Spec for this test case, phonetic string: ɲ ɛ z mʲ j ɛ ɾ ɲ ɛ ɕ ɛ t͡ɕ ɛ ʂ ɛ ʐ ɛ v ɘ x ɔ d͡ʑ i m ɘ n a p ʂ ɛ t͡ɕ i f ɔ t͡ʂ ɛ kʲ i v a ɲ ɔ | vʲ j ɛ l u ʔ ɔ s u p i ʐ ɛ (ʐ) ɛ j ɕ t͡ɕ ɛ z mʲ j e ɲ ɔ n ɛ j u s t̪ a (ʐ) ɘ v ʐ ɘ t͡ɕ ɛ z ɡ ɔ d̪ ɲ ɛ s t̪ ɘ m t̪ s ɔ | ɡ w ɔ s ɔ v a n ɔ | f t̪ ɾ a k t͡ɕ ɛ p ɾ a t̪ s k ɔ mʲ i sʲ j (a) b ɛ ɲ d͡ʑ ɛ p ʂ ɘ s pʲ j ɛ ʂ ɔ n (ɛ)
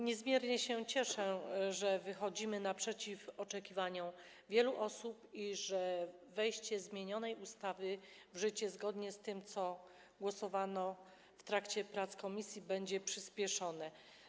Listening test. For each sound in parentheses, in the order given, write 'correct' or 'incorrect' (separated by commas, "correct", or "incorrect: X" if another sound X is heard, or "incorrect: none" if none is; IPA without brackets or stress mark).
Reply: incorrect: v, incorrect: v, incorrect: i, correct